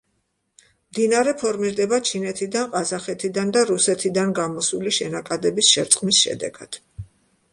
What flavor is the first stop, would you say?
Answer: plain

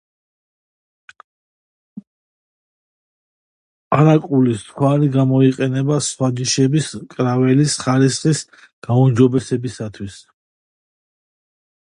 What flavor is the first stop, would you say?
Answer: ejective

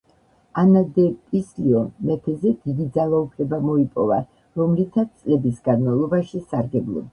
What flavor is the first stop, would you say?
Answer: plain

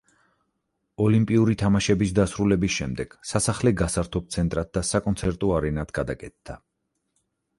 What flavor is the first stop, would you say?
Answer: ejective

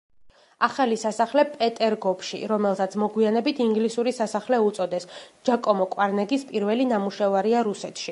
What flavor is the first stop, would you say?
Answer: ejective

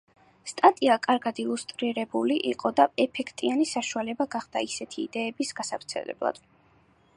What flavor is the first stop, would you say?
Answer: ejective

